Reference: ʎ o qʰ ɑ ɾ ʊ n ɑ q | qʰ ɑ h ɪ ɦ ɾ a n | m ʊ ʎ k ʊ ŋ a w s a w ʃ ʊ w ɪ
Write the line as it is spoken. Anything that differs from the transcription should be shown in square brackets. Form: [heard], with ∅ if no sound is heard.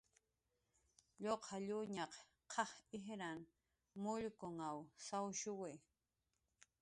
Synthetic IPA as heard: ʎ o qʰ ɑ [ʎ] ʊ [ɲ] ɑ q | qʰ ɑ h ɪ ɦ ɾ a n | m ʊ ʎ k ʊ ŋ a w s a w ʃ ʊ w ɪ